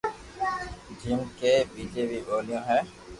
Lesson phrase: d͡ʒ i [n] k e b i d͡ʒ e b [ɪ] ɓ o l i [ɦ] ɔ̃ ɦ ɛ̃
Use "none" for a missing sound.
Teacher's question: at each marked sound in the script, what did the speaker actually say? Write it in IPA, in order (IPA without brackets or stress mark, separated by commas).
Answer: m, i, none